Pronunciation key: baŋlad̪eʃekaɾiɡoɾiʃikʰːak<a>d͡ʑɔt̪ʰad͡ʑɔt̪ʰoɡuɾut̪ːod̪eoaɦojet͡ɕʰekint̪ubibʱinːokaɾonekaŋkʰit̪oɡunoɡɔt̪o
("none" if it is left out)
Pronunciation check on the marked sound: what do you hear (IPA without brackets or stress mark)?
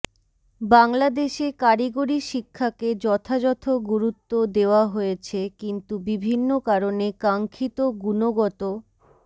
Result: e